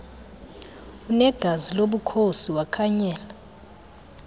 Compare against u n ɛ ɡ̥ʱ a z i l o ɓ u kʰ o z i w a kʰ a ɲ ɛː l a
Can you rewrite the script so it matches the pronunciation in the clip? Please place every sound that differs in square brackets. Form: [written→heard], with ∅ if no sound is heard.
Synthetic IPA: u n ɛ ɡ̥ʱ a z i l o ɓ u kʰ o [z→s] i w a kʰ a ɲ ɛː l a